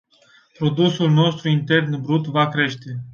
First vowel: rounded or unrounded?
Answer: rounded